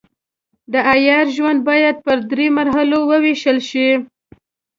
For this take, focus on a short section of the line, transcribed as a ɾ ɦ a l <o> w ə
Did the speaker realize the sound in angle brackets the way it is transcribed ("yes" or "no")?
yes